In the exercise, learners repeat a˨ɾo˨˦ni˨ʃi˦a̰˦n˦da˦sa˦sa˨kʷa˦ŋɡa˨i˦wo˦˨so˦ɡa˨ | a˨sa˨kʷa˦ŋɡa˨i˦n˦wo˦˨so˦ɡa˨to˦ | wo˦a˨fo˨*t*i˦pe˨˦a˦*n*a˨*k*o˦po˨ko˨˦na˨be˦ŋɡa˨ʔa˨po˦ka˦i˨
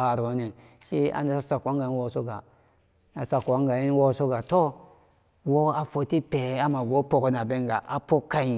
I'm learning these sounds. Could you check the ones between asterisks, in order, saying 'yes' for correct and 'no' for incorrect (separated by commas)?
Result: yes, no, no